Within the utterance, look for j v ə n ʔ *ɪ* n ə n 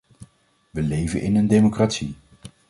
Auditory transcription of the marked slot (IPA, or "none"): ɪ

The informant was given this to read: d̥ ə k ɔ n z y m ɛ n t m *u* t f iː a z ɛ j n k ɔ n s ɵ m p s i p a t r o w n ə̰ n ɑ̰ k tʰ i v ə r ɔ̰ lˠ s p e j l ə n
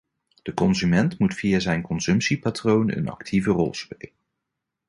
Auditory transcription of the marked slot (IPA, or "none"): u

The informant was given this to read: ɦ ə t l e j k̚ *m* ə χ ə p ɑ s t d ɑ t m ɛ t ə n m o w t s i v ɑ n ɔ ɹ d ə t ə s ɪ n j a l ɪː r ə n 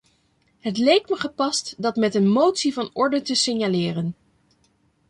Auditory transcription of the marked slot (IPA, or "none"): m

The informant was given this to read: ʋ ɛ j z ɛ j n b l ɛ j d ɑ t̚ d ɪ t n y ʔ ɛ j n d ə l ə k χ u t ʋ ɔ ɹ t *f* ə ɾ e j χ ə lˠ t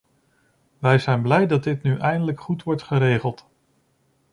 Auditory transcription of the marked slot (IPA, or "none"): χ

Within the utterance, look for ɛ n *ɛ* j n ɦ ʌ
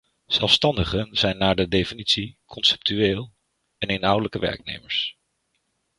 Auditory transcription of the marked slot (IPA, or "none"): e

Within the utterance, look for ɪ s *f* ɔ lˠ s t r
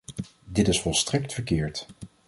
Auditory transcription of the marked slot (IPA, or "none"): f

